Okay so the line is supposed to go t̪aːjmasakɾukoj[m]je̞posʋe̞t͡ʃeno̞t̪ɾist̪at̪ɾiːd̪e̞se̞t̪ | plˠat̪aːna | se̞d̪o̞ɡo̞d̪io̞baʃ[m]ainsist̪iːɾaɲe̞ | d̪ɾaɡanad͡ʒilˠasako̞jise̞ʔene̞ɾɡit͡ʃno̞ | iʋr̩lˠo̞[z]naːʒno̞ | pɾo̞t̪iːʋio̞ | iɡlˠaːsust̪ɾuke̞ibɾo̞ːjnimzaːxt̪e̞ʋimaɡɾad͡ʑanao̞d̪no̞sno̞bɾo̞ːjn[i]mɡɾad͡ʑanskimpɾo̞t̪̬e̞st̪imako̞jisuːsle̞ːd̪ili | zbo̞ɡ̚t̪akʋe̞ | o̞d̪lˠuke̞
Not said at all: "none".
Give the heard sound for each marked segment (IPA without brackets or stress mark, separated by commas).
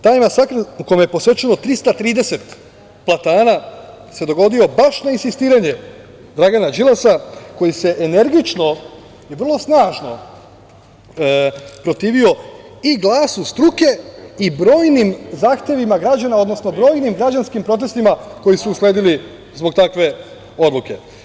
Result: m, n, s, i